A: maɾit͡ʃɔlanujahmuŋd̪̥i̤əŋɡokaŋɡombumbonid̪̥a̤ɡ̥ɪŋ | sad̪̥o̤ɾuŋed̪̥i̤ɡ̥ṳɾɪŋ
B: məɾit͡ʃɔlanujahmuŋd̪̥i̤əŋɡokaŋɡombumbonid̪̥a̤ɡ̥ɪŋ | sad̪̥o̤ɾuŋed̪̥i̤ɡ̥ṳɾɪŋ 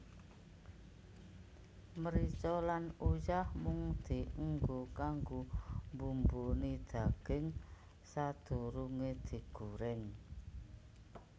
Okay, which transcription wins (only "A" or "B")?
B